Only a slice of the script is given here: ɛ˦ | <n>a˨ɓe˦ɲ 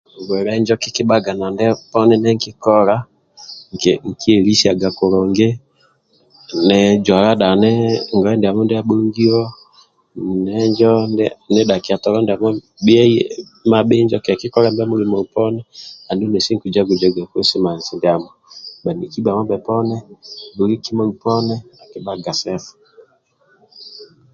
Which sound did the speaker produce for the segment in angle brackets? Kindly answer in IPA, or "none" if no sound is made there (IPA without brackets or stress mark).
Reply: m